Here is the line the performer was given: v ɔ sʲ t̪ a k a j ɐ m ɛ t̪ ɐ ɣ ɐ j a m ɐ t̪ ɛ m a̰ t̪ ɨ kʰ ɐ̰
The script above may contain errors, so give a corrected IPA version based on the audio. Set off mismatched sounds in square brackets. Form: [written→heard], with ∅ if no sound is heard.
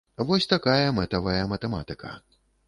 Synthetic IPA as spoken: v ɔ sʲ t̪ a k a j ɐ m ɛ t̪ ɐ [ɣ→v] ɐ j [a→ɐ] m ɐ t̪ ɛ m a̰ t̪ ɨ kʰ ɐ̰